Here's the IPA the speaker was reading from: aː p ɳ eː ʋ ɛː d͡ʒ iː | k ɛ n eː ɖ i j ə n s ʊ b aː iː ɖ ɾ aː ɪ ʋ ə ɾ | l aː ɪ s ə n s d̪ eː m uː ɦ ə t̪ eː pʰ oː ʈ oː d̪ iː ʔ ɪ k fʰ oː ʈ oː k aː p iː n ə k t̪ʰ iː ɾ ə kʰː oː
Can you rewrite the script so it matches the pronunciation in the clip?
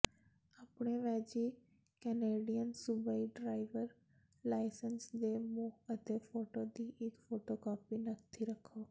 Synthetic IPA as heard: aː p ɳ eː ʋ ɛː d͡ʒ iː | k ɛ n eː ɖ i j ə n s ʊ b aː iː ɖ ɾ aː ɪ ʋ ə ɾ | l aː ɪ s ə n s d̪ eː m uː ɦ ə t̪ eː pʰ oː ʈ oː d̪ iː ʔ ɪ k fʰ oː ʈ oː k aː p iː n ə k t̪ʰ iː ɾ ə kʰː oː